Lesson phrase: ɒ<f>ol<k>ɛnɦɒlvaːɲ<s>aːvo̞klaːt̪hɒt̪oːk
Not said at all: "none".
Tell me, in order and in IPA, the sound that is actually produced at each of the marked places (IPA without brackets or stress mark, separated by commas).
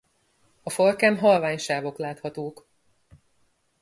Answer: f, k, ʃ